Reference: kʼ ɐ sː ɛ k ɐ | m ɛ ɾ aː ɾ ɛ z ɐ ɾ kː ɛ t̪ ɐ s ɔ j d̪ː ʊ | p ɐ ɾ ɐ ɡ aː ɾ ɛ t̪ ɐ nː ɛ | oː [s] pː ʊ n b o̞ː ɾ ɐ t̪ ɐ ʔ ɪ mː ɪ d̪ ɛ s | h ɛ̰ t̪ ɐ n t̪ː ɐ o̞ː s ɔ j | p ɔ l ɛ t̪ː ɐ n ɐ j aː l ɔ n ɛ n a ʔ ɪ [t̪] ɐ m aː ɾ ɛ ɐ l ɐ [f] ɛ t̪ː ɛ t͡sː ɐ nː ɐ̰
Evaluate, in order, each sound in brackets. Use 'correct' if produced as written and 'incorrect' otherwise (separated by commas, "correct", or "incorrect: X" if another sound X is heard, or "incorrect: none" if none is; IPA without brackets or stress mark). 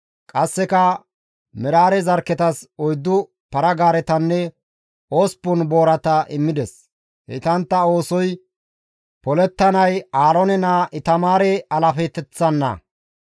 correct, correct, correct